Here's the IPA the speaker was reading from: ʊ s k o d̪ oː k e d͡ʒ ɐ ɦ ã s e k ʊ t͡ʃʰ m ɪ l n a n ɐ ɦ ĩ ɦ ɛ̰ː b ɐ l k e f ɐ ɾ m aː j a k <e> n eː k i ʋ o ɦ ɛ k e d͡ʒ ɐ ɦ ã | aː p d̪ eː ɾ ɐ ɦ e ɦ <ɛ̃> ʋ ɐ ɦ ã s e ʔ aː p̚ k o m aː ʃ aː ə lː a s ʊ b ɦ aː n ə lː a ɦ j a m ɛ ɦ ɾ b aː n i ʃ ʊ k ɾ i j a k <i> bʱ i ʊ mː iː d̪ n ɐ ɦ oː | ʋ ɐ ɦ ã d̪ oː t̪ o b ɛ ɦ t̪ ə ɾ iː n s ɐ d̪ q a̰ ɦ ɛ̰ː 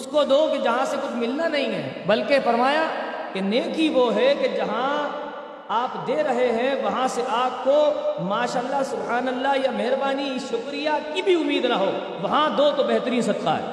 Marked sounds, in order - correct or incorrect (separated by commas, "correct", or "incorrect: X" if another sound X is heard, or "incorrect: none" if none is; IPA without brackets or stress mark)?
correct, correct, correct